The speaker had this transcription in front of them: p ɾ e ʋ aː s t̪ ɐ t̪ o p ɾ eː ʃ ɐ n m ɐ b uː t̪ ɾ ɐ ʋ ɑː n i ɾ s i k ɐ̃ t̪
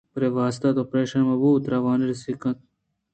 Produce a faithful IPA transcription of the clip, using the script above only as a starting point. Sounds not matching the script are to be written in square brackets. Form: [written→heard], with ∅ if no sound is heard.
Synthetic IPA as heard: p ɾ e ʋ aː s t̪ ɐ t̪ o p ɾ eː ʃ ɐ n m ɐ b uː t̪ ɾ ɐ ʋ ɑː n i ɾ s i k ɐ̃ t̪